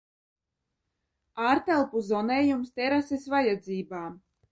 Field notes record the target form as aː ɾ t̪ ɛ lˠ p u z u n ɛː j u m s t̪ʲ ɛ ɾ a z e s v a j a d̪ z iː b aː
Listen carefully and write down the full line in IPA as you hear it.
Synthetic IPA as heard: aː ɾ t̪ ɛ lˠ p u z ɔ n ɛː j u m s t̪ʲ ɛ ɾ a s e s v a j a d̪ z iː b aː